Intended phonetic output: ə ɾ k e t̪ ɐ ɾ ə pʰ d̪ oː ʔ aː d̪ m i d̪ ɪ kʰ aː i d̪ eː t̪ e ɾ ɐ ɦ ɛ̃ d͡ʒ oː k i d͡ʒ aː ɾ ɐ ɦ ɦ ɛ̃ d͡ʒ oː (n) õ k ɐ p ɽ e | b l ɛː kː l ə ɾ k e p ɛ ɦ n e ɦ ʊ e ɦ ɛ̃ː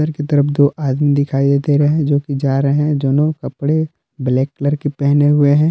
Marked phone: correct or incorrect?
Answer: correct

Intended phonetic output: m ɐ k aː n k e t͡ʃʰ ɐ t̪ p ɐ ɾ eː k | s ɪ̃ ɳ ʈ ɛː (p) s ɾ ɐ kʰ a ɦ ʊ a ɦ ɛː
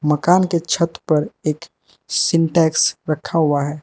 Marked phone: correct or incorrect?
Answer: incorrect: k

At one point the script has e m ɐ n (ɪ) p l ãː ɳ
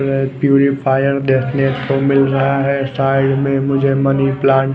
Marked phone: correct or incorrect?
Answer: incorrect: i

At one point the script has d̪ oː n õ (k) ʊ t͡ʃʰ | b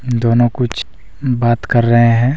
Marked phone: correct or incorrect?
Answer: correct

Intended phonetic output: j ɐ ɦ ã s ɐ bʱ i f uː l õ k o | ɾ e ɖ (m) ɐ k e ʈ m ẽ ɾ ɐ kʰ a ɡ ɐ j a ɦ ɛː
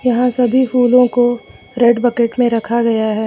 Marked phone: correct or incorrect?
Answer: incorrect: b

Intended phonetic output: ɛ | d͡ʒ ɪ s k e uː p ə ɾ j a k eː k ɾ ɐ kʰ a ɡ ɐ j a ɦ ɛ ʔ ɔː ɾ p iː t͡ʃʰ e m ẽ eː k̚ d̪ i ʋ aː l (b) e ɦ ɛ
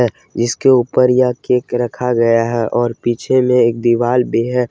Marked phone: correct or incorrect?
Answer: correct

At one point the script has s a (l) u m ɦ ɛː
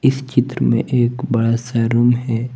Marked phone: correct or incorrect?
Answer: incorrect: ɾ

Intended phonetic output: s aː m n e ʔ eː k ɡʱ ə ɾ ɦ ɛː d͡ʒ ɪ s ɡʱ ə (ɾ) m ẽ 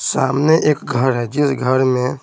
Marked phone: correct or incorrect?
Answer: correct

